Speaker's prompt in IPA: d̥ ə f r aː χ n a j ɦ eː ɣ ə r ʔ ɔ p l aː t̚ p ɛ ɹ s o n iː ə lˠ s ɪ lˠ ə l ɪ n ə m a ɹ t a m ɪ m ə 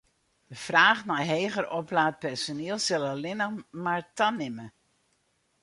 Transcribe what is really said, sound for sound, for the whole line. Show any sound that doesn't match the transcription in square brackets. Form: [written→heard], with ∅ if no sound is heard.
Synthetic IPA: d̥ ə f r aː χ n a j ɦ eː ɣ ə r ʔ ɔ p l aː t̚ p ɛ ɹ s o n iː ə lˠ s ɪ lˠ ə l ɪ n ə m a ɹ t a [m→n] ɪ m ə